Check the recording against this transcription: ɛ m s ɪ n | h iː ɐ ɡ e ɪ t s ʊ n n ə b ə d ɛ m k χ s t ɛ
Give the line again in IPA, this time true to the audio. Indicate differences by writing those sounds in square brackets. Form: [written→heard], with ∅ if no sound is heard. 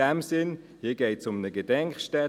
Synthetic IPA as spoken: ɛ m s ɪ n | h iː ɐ ɡ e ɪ t s ʊ [n→m] n ə [b→ɡ] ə d ɛ [m→ŋ] k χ [s→ʃ] t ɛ